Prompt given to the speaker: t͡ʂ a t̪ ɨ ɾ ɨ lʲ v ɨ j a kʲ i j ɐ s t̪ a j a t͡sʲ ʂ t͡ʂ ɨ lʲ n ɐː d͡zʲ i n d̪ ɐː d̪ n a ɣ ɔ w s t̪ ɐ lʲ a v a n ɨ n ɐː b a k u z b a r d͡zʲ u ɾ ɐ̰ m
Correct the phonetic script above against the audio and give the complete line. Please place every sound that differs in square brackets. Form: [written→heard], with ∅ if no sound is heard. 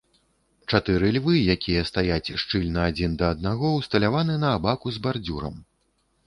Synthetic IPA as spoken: t͡ʂ a t̪ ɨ ɾ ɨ lʲ v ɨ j a kʲ i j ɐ s t̪ a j a t͡sʲ ʂ t͡ʂ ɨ lʲ n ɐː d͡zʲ i n d̪ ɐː d̪ n a ɣ ɔ w s t̪ ɐ lʲ a v a n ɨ n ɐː b a k u z b a r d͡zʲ u ɾ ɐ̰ m

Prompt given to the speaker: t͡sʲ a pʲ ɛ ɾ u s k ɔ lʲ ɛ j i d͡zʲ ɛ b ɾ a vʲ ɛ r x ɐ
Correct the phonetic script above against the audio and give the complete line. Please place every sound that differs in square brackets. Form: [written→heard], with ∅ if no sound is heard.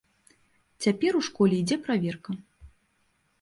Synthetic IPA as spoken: t͡sʲ a pʲ ɛ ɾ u [s→ʂ] k ɔ lʲ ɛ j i d͡zʲ ɛ [b→p] ɾ a vʲ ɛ r [x→k] ɐ

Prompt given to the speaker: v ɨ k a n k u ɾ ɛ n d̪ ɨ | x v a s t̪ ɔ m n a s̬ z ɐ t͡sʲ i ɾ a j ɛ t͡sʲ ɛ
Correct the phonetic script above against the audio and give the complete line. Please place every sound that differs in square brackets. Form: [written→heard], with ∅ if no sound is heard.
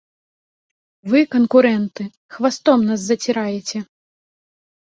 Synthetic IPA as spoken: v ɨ k [a→ɐ] n k u ɾ ɛ n [d̪→t̪] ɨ | x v a s t̪ ɔ m n a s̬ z ɐ t͡sʲ i ɾ a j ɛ t͡sʲ ɛ

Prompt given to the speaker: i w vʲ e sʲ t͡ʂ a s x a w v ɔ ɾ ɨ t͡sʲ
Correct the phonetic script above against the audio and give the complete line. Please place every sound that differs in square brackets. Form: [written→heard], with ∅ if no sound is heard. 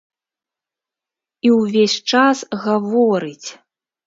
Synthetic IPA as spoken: i w vʲ e sʲ t͡ʂ a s [x→ɣ] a [w→∅] v ɔ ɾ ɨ t͡sʲ

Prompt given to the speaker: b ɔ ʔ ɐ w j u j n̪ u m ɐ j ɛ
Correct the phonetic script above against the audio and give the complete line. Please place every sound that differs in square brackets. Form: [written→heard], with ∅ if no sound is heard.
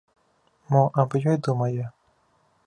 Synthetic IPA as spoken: [b→m] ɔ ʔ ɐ [w→b] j [u→ɔ] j [n̪→d̪] u m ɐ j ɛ

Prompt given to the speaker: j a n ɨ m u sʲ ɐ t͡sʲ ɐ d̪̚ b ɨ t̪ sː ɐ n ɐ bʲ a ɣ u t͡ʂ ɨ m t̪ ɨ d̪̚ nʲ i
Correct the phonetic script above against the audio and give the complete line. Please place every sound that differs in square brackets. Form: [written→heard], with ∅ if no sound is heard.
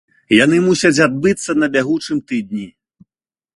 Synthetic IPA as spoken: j a n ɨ m u sʲ ɐ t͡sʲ [ɐ→a] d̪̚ b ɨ t̪ sː ɐ n ɐ bʲ a ɣ u t͡ʂ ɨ m t̪ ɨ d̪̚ nʲ i

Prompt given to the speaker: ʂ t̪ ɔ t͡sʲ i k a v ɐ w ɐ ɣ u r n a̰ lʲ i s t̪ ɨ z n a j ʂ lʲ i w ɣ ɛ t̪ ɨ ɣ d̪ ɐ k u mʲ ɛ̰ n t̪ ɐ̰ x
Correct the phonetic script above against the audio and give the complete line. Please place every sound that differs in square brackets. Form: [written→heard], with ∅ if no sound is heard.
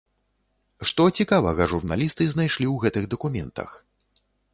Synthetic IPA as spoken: ʂ t̪ ɔ t͡sʲ i k a v ɐ [w→ɣ] ɐ [ɣ→ʐ] u r n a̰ lʲ i s t̪ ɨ z n a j ʂ lʲ i w ɣ ɛ t̪ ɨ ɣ d̪ ɐ k u mʲ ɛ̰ n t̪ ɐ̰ x

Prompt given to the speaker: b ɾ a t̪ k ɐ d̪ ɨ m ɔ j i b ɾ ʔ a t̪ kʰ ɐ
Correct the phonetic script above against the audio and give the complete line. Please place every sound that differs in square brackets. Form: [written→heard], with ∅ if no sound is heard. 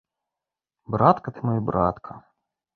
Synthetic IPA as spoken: b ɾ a t̪ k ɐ [d̪→t̪] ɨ m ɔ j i b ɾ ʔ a t̪ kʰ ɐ

